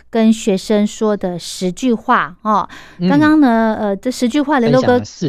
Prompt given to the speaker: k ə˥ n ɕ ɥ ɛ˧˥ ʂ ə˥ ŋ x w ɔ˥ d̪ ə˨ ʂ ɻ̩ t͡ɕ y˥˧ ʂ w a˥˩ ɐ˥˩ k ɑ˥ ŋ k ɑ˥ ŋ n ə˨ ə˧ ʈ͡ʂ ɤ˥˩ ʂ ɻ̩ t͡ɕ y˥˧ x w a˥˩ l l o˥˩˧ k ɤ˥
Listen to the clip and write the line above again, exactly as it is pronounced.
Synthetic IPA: k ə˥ n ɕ ɥ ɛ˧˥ ʂ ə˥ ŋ ʂ w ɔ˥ d̪ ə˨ ʂ ɻ̩ t͡ɕ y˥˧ x w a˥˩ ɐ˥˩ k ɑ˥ ŋ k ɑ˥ ŋ n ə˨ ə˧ ʈ͡ʂ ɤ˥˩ ʂ ɻ̩ t͡ɕ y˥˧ x w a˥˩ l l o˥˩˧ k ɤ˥